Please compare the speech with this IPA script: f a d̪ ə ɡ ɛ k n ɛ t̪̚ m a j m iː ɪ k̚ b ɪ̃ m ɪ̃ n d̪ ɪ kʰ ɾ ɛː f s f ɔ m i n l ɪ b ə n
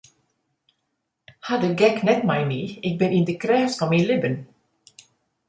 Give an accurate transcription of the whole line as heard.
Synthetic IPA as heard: h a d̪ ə ɡ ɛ k n ɛ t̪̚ m a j m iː ɪ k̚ b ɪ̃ n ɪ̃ n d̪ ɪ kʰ ɾ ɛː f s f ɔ m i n l ɪ b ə n